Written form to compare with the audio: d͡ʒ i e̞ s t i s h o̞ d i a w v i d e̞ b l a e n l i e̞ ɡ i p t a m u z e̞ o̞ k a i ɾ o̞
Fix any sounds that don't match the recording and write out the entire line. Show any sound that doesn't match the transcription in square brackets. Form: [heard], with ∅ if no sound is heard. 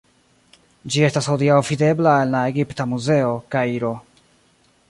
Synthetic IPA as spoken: d͡ʒ i e̞ s t [a] s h o̞ d i a w v i d e̞ b l a e n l [a] e̞ ɡ i p t a m u z e̞ o̞ k a i ɾ o̞

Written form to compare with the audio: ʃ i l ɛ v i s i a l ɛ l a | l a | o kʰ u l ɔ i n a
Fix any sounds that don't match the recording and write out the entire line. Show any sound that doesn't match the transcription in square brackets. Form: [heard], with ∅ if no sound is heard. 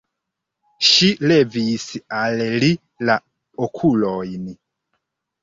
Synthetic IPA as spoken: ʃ i l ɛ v i s i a l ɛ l [i] | l a | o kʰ u l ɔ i n [i]

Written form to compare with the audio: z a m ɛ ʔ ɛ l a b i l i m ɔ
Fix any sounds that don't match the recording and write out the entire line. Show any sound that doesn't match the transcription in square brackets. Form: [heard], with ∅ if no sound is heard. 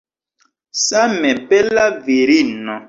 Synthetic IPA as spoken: [s] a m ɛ [p] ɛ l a [v] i [ɾ] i [n] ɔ

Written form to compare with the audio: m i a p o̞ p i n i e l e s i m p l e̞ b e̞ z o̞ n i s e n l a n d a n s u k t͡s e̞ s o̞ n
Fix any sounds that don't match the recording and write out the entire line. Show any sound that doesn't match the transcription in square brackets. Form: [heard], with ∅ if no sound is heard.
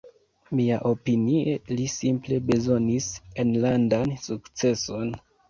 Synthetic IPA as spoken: m i a [ʔ] o̞ p i n i e l [i] s i m p l e̞ b e̞ z o̞ n i s e n l a n d a n s u k t͡s e̞ s o̞ n

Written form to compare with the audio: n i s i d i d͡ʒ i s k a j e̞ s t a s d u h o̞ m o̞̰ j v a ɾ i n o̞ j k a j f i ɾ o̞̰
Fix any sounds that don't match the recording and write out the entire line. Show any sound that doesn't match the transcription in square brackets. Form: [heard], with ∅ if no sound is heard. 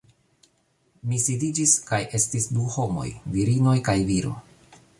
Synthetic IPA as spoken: [m] i s i d i d͡ʒ i s k a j e̞ s t [i] s d u h o̞ m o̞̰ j v [i] ɾ i n o̞ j k a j [v] i ɾ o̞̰

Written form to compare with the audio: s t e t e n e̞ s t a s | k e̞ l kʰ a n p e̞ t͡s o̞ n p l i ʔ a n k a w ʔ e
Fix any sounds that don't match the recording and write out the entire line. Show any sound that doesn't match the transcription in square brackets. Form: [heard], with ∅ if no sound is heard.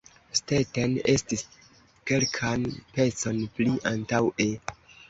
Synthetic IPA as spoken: s t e t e n e̞ s t [i] s | k e̞ l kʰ a n p e̞ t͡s o̞ n p l i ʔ a n [t] a w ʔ e

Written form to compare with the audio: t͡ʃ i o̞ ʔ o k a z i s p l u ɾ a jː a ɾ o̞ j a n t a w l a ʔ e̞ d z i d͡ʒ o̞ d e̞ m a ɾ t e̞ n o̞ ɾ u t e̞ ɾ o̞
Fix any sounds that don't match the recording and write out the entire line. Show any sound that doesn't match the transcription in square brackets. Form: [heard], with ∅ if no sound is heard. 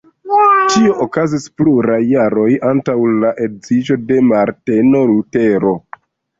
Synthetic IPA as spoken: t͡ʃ i o̞ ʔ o k a z i s p l u ɾ a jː a ɾ o̞ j a n t a w l a ʔ e̞ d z i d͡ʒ o̞ d e̞ m a ɾ t e̞ n o̞ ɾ u t e̞ ɾ o̞

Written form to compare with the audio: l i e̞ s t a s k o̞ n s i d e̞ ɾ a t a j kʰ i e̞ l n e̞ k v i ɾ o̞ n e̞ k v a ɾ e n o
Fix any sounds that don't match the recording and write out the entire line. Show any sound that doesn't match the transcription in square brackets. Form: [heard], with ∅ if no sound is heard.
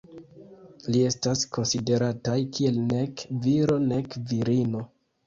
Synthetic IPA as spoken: l i e̞ s t a s k o̞ n s i d e̞ ɾ a t a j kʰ i e̞ l n e̞ k v i ɾ o̞ n e̞ k v [i] ɾ [i] n o

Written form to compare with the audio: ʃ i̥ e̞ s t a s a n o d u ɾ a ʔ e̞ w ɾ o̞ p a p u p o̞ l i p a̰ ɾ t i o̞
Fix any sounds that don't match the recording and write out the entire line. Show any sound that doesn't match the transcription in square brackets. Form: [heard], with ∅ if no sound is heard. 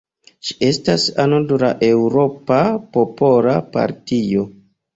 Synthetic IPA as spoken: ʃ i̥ e̞ s t a s a n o d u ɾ a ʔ e̞ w ɾ o̞ p a p [o] p o̞ l [a] p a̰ ɾ t i o̞

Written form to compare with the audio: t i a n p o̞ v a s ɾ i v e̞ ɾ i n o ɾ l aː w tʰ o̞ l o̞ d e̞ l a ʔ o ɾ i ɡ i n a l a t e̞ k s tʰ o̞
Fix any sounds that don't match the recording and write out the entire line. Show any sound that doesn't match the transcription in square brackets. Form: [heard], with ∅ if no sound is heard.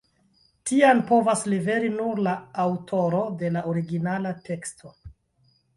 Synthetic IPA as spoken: t i a n p o̞ v a s [l] i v e̞ ɾ i n [u] ɾ l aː w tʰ o̞ [ɾ] o̞ d e̞ l a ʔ o ɾ i ɡ i n a l a t e̞ k s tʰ o̞

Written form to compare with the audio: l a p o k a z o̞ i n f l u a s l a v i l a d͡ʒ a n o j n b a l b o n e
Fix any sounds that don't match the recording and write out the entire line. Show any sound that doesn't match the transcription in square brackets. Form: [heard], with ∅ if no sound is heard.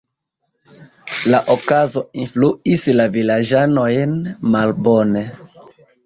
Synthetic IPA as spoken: l a [ʔ] o k a z o̞ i n f l u [i] s l a v i l a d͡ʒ a n o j n [m] a l b o n e

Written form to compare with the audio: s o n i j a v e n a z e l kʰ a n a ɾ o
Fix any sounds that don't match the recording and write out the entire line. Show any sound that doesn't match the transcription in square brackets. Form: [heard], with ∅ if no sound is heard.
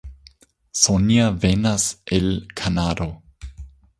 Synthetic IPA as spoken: s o n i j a v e n a [s] e l kʰ a n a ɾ o

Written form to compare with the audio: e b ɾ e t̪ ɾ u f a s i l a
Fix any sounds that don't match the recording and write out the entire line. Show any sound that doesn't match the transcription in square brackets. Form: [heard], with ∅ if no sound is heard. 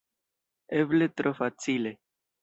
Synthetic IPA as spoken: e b [l] e t̪ ɾ [o] f a [t͡s] i l [e]

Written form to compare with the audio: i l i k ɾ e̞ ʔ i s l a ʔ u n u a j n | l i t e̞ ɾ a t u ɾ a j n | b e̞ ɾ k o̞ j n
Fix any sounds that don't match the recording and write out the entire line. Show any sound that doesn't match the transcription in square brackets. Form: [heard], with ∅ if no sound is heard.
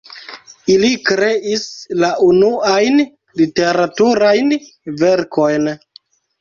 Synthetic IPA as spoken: i l i k ɾ e̞ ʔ i s l a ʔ u n u a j n | l i t e̞ ɾ a t u ɾ a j n | [v] e̞ ɾ k o̞ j n

